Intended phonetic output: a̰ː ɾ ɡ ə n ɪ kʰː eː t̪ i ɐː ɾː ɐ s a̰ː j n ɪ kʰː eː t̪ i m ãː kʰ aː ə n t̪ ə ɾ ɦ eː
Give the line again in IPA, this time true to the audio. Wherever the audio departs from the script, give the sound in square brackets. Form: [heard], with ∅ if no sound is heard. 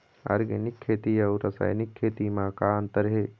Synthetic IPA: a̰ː ɾ ɡ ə n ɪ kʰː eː t̪ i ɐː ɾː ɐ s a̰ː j n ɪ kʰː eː t̪ i m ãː [k] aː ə n t̪ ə ɾ ɦ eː